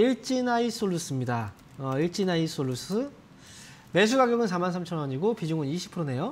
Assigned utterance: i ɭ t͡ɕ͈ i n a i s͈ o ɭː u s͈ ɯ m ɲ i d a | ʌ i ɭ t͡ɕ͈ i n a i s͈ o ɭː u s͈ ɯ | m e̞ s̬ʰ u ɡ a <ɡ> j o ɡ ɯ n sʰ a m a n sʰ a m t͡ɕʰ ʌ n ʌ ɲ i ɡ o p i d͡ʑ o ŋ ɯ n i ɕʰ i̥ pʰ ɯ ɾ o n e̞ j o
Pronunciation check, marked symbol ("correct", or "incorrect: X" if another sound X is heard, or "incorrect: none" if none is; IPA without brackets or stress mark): correct